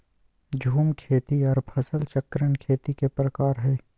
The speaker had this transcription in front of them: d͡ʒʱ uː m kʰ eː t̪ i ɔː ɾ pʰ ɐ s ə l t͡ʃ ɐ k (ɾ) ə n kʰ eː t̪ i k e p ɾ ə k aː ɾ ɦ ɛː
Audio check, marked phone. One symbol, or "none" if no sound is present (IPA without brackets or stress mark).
ɾ